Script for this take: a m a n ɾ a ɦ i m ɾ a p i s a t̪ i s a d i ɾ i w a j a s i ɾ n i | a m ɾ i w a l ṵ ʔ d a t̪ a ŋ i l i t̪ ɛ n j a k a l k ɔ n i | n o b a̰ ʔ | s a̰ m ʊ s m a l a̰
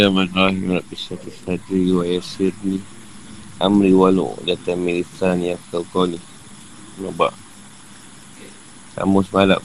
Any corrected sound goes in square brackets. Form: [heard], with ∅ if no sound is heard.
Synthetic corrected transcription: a m a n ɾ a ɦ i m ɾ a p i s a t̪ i s a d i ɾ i w a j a s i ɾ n i | a m ɾ i w a l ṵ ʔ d a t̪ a [m] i l i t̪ [a] n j a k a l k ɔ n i | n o b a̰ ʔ | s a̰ m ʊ s m a l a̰